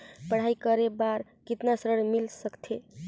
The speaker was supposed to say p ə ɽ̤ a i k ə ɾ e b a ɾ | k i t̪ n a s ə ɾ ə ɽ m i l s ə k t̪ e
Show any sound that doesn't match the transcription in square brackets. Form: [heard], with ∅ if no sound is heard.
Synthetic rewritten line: p ə ɽ̤ a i k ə ɾ e b a ɾ | k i t̪ n a s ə ɾ ə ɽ m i l s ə k [t̪ʰ] e

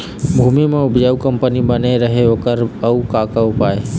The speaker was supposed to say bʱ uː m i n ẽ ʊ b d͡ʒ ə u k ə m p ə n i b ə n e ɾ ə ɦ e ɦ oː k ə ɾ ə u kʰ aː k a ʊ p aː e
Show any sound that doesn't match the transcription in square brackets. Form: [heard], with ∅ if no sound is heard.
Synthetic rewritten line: bʱ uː m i [m] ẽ ʊ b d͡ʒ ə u k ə m p ə n i b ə n e ɾ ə ɦ e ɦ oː k ə ɾ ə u [k] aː k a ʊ p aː e

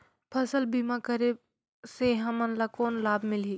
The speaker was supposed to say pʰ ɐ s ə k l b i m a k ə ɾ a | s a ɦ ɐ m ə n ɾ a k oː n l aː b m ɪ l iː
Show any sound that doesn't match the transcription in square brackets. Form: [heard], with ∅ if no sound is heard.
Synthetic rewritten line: pʰ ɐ s ə [∅] l b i m a k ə ɾ [e] | s [e] ɦ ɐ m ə n [l] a k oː n l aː b m ɪ l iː

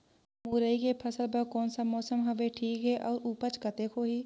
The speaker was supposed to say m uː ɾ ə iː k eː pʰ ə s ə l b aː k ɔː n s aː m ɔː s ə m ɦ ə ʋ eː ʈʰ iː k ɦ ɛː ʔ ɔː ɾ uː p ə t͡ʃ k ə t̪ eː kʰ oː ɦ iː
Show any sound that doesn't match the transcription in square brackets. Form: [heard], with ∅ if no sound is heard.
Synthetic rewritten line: m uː ɾ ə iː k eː pʰ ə s ə l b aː k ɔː n s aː m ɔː s ə m ɦ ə ʋ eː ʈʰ iː k ɦ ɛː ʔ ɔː ɾ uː p ə t͡ʃ k ə t̪ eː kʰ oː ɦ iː

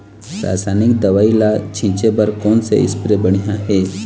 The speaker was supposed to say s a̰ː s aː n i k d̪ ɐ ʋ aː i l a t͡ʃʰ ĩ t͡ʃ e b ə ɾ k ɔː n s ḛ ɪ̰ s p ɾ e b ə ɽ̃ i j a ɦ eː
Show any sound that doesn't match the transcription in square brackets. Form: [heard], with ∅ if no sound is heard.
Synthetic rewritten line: s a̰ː s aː n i k d̪ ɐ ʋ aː i l a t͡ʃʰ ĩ t͡ʃ e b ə ɾ k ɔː n s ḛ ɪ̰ s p ɾ e b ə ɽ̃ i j a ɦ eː

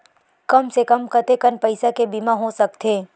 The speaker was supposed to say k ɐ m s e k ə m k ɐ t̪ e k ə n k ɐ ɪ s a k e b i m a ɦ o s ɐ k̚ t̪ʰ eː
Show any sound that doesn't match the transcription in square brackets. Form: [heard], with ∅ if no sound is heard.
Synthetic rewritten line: k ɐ m s e k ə m k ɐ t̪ e k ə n [p] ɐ ɪ s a k e b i m a ɦ o s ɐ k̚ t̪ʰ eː

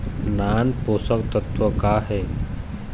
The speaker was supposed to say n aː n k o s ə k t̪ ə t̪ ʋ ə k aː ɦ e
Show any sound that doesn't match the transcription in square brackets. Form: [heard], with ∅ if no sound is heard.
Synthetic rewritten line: n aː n [p] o s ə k t̪ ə t̪ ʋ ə k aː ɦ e

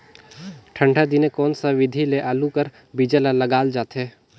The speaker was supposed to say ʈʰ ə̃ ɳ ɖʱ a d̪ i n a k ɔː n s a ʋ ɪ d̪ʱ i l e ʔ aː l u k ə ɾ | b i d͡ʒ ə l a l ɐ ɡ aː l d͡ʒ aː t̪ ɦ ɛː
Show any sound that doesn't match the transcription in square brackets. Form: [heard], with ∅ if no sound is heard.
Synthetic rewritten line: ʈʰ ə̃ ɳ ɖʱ a d̪ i n [e] k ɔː n s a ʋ ɪ d̪ʱ i l e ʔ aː l u k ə ɾ | b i d͡ʒ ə l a l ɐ ɡ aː l d͡ʒ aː t̪ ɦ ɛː

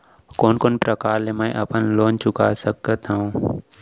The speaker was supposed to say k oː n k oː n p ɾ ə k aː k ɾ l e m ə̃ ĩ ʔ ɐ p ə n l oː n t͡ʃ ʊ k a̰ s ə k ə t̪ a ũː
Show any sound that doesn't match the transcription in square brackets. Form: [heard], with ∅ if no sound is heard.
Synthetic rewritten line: k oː n k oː n p ɾ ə k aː [∅] ɾ l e m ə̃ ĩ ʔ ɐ p ə n l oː n t͡ʃ ʊ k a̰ s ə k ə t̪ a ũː

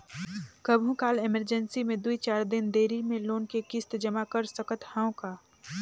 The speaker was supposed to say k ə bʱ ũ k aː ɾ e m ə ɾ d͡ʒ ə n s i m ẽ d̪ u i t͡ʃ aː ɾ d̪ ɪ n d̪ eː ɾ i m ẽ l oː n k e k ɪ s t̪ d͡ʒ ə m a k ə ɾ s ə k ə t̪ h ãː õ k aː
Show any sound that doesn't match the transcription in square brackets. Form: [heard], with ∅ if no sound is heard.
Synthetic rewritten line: k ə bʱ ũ k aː [l] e m ə ɾ d͡ʒ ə n s i m ẽ d̪ u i t͡ʃ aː ɾ d̪ ɪ n d̪ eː ɾ i m ẽ l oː n k e k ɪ s t̪ d͡ʒ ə m a k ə ɾ s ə k ə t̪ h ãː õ k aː

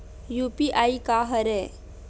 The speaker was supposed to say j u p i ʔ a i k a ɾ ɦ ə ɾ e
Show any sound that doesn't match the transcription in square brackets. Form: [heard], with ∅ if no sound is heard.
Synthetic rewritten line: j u p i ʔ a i k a [∅] ɦ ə ɾ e

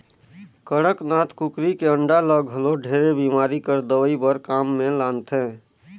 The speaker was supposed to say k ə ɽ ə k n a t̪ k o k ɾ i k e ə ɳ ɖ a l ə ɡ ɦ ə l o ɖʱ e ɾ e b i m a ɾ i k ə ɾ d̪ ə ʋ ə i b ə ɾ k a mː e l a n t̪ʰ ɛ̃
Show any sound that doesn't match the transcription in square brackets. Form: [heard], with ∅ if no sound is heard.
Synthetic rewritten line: k ə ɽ ə k n a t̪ k [u] k ɾ i k e ə ɳ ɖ a l ə ɡ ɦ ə l o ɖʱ e ɾ e b i m a ɾ i k ə ɾ d̪ ə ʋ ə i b ə ɾ k a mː e l a n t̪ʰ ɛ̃

